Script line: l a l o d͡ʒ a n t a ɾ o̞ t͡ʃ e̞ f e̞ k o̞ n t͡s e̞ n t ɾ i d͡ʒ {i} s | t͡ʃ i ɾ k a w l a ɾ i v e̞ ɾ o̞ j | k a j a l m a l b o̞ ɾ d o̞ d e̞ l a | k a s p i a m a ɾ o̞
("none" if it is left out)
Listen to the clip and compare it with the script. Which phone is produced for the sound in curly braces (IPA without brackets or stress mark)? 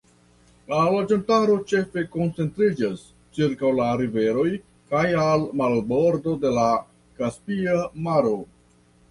a